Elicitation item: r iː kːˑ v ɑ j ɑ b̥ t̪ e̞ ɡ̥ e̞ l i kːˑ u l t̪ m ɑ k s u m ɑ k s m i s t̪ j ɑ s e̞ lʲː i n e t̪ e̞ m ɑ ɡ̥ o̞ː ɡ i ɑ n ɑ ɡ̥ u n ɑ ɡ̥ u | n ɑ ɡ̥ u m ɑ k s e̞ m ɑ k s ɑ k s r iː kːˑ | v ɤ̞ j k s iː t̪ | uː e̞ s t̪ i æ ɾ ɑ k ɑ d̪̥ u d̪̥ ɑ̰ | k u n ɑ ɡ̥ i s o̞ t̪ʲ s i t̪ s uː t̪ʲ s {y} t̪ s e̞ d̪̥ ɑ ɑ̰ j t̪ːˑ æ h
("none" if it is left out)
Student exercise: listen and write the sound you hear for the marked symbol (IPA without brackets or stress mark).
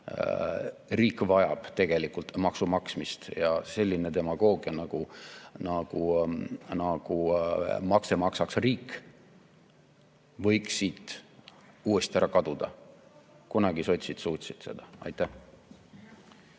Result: i